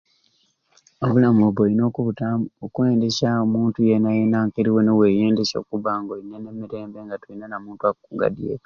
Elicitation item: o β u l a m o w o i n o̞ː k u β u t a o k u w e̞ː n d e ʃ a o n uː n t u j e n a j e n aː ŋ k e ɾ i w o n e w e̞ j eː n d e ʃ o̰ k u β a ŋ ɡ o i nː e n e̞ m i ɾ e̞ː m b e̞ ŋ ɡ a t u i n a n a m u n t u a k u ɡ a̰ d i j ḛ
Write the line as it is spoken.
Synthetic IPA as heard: o β u l a m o β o i n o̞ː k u β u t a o k u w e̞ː n d e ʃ a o m uː n t u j e n a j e n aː ŋ k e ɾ i w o n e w e̞ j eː n d e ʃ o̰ k u β a ŋ ɡ o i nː e n e̞ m i ɾ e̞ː m b e̞ ŋ ɡ a t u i n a n a m uː n t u a k u ɡ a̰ d i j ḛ